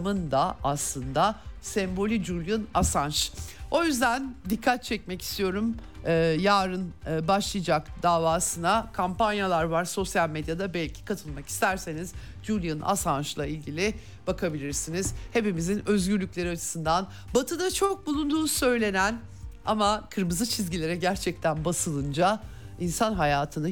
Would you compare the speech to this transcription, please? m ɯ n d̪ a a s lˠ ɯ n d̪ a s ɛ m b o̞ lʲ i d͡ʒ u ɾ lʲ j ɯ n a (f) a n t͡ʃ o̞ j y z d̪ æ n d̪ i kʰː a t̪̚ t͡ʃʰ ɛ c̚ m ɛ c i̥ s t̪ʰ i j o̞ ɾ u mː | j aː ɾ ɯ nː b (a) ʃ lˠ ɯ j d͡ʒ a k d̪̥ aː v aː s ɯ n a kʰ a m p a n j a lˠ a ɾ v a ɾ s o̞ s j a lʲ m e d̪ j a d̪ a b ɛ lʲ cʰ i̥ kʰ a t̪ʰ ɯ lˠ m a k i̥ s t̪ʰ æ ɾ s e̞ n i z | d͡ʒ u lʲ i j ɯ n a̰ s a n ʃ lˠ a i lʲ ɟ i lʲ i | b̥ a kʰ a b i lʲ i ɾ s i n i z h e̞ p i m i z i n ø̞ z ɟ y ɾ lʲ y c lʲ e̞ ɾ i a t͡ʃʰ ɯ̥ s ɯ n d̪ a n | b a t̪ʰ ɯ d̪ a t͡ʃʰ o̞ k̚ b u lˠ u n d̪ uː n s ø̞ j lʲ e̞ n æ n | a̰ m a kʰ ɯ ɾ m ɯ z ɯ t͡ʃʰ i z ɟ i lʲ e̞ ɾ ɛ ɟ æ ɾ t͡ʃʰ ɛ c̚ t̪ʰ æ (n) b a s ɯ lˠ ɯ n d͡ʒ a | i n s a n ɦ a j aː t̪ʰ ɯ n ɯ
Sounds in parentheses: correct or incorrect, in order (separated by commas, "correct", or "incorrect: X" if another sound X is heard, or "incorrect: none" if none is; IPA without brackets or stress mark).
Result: incorrect: s, correct, correct